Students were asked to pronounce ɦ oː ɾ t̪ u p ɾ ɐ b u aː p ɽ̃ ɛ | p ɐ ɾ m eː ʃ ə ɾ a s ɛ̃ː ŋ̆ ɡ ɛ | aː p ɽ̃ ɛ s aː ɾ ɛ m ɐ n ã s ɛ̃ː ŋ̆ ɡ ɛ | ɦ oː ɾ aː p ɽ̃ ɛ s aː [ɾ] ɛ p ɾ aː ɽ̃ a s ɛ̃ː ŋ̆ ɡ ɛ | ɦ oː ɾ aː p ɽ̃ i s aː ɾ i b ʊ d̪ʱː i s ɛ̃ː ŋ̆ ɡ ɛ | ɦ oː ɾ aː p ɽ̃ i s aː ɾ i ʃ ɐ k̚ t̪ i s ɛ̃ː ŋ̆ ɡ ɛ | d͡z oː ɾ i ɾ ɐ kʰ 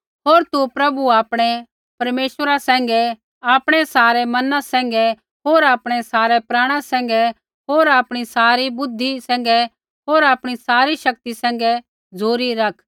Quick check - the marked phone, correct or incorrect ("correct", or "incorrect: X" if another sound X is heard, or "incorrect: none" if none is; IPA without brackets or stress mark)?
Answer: correct